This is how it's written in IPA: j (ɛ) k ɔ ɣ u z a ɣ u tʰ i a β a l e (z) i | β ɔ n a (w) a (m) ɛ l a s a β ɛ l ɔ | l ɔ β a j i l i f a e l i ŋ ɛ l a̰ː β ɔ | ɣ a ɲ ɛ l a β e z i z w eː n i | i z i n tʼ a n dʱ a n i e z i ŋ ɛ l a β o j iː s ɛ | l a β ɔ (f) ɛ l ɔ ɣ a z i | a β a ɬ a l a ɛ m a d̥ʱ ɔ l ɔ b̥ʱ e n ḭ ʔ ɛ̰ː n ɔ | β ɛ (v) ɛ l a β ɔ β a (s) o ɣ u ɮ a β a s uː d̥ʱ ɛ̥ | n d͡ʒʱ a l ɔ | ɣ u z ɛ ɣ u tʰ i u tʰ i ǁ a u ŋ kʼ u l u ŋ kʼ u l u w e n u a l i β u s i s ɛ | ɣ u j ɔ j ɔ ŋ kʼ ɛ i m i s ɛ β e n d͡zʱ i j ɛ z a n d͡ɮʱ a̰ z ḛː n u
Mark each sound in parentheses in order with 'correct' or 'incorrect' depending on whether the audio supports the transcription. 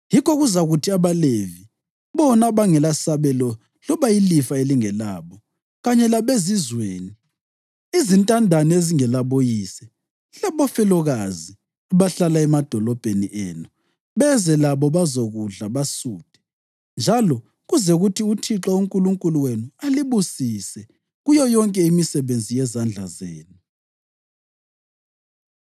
incorrect: i, incorrect: v, incorrect: β, incorrect: ŋ, correct, incorrect: z, incorrect: z

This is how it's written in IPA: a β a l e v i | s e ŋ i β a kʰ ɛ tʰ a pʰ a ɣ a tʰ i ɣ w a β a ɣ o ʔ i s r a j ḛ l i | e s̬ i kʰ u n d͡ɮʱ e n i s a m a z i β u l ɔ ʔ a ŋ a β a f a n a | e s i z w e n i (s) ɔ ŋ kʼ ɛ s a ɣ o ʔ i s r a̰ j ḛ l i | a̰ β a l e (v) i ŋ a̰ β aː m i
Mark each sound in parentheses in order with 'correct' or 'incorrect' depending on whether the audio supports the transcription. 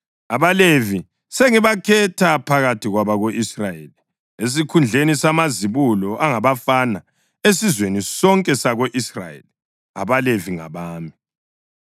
correct, correct

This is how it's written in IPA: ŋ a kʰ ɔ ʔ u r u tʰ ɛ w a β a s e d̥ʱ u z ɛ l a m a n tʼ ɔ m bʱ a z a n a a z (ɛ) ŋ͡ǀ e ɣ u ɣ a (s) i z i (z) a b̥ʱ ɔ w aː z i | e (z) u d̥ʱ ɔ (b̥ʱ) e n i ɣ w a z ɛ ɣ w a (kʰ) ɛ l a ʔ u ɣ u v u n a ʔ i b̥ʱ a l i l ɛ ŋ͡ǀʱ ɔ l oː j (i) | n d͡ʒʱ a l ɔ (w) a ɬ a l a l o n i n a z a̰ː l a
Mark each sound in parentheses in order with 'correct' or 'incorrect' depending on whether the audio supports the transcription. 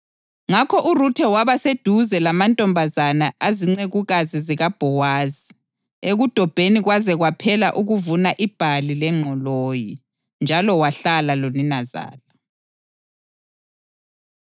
incorrect: i, incorrect: z, incorrect: ɣ, incorrect: ɣ, correct, incorrect: pʰ, correct, correct

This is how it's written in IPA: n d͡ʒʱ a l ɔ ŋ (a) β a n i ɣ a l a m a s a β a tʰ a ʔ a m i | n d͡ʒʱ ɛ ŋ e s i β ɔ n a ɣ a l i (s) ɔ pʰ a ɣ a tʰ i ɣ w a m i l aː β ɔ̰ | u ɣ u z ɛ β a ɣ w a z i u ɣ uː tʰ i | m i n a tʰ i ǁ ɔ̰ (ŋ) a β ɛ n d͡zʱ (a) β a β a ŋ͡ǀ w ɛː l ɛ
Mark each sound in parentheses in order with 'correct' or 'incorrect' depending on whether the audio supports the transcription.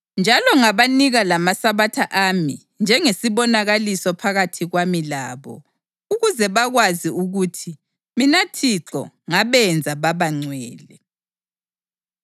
correct, correct, correct, correct

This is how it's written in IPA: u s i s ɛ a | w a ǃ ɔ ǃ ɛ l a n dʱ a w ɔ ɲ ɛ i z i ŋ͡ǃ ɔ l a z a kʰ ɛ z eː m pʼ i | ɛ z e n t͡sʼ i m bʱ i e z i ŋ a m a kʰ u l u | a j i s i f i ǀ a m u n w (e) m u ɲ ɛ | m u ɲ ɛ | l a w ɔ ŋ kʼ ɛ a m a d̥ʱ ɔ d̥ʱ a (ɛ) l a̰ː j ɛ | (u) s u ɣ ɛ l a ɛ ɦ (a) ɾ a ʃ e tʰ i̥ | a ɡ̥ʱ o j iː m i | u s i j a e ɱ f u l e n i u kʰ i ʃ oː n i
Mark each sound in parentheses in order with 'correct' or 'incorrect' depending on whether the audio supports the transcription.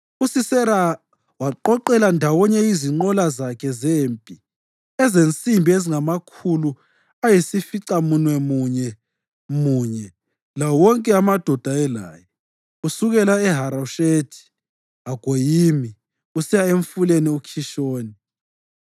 incorrect: ɛ, correct, correct, correct

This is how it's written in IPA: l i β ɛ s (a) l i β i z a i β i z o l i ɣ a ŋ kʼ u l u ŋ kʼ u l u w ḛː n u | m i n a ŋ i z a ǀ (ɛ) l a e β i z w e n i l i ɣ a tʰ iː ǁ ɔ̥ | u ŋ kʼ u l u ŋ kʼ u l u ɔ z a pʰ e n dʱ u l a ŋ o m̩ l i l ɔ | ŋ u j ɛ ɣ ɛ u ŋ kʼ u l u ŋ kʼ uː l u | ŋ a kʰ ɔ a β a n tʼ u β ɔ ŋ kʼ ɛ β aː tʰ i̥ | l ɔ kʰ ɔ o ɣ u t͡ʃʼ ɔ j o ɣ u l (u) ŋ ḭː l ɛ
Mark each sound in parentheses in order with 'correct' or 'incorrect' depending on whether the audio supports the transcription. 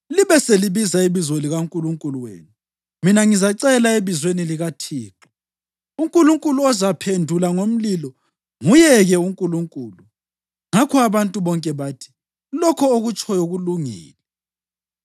incorrect: e, correct, correct

